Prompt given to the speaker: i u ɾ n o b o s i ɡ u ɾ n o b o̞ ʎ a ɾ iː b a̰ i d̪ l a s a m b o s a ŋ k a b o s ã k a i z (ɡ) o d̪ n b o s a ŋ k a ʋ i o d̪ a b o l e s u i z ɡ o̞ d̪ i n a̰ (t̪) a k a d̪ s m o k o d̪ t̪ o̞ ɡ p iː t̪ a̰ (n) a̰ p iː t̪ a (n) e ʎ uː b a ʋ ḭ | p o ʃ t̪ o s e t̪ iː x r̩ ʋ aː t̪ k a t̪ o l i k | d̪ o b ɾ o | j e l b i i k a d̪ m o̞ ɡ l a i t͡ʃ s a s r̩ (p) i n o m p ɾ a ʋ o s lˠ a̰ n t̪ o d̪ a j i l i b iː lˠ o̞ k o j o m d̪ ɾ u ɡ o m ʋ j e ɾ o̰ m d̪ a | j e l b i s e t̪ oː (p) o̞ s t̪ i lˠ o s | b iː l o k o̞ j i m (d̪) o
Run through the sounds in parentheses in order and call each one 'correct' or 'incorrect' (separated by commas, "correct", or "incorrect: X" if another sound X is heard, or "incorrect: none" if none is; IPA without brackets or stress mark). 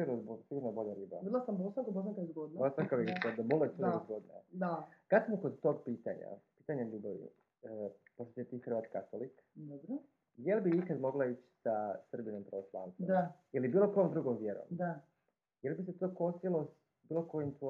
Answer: correct, incorrect: d̪, incorrect: ɲ, incorrect: ɲ, incorrect: b, incorrect: k, incorrect: t̪